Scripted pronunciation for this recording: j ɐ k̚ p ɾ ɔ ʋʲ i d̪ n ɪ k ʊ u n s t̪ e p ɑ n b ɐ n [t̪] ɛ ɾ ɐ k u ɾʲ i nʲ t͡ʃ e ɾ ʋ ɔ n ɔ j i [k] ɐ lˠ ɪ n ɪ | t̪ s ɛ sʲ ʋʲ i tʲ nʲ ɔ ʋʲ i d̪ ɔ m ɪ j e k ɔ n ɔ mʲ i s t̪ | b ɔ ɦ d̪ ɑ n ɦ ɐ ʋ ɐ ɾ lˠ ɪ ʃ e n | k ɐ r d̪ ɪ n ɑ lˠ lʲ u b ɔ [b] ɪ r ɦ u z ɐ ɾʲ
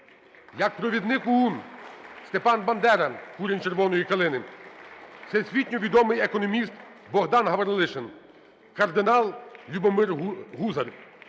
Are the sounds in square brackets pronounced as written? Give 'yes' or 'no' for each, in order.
no, yes, no

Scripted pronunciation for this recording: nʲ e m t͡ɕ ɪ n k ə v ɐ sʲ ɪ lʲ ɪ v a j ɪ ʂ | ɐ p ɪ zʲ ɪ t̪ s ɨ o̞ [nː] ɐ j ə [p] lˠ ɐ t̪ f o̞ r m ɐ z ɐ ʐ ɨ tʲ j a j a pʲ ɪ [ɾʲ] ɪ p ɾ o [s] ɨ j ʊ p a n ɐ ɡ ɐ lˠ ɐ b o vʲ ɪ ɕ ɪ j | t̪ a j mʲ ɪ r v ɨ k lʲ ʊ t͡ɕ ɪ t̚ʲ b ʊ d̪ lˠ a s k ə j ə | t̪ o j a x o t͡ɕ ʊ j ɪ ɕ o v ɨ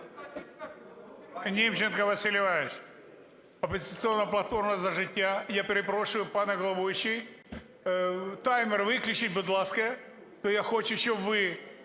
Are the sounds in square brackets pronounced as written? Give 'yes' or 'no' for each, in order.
yes, yes, yes, no

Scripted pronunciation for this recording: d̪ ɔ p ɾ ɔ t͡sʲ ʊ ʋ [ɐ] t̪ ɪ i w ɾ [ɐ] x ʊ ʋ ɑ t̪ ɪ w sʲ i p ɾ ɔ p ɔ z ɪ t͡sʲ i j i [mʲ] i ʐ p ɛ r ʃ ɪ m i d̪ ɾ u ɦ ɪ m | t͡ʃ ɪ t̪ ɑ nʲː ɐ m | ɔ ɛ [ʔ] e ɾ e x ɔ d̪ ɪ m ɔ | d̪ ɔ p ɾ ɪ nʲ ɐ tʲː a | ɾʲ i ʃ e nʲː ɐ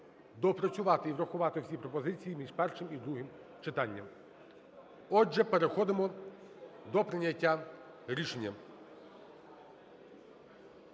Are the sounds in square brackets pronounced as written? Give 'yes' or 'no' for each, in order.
no, yes, yes, no

